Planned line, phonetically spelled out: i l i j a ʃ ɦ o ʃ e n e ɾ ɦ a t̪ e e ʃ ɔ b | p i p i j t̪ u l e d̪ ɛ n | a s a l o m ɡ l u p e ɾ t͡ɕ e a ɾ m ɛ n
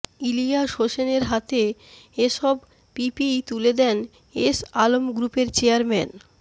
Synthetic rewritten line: i l i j a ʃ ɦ o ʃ e n e ɾ ɦ a t̪ e e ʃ ɔ b | p i p i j t̪ u l e d̪ ɛ n | e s a l o m ɡ ɾ u p e ɾ t͡ɕ e a ɾ m ɛ n